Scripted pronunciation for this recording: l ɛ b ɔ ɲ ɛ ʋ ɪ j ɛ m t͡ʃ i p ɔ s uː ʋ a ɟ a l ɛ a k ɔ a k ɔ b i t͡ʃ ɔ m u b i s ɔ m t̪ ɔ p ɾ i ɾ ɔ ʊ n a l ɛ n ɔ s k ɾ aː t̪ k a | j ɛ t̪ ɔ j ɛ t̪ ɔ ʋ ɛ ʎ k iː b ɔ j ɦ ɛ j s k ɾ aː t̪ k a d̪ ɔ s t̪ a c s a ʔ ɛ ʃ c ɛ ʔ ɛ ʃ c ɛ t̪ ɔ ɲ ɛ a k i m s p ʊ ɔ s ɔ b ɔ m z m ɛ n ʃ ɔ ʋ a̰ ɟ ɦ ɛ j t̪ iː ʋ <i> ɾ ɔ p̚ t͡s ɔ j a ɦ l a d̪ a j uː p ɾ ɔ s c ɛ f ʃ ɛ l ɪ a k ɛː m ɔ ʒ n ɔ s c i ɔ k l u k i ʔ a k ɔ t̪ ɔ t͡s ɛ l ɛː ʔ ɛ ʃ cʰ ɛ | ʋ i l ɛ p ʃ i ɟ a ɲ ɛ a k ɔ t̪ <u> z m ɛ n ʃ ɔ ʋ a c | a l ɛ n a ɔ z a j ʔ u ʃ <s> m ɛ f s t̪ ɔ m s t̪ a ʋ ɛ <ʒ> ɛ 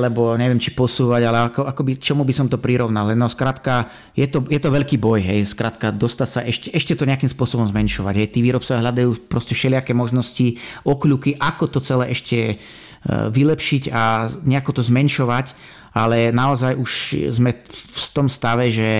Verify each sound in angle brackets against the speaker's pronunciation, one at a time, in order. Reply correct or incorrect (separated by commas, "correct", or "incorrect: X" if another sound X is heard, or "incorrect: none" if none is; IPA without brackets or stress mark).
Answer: incorrect: iː, incorrect: ɔ, incorrect: z, correct